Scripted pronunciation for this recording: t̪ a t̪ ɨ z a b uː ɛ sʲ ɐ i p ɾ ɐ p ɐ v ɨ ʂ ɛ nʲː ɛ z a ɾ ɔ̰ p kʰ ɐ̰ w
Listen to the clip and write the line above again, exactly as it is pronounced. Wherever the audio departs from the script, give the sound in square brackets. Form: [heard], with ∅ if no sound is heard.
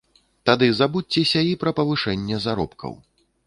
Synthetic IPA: t̪ a [d̪] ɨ z a b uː ɛ sʲ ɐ i p ɾ ɐ p ɐ v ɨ ʂ ɛ nʲː ɛ z a ɾ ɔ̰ p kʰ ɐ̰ w